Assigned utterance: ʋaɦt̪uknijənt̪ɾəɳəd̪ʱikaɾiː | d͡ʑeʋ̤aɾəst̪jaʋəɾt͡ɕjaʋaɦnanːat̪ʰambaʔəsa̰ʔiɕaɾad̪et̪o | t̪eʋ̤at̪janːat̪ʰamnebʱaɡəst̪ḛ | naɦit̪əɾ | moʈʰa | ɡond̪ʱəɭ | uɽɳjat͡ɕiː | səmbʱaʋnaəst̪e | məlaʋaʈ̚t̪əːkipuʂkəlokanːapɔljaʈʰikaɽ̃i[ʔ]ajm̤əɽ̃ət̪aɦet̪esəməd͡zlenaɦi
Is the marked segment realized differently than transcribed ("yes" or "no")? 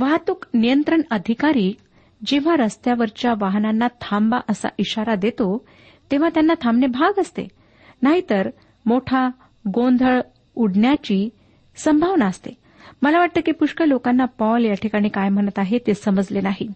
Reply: yes